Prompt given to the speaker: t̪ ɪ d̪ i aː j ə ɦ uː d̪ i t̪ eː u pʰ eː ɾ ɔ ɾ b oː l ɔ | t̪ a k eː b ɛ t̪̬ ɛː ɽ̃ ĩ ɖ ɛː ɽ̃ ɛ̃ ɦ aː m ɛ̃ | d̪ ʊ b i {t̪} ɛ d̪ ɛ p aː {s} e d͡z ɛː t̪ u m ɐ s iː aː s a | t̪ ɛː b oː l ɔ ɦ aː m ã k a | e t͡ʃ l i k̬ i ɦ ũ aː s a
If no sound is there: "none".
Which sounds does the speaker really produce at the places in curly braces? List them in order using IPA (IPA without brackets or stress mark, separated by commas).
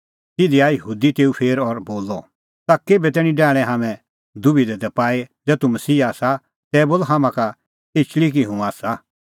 d̪, none